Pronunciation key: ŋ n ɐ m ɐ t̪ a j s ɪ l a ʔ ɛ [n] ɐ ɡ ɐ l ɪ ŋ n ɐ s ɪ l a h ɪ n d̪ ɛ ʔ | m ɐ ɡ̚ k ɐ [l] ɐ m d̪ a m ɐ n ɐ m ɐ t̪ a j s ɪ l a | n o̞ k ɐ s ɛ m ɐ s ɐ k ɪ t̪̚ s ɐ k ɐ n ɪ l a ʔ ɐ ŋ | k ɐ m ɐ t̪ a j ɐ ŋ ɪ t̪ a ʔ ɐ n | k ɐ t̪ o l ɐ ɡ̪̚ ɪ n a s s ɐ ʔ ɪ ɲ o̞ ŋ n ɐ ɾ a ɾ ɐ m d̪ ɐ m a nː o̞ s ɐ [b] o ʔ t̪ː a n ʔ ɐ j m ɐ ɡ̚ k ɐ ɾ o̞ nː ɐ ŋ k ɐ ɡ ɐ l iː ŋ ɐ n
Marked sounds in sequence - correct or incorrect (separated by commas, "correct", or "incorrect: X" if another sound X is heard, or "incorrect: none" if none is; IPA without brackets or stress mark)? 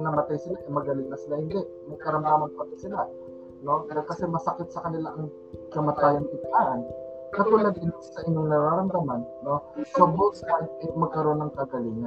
incorrect: m, incorrect: ɾ, correct